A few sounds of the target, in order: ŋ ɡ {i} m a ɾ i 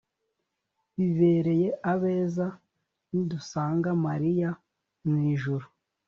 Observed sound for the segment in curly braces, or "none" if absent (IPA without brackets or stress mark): a